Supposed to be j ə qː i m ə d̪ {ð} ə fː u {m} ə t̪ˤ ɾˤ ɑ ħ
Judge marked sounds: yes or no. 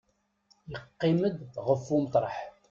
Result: no, yes

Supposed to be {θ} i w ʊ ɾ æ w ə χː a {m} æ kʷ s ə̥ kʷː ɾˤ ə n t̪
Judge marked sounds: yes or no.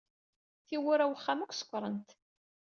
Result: yes, yes

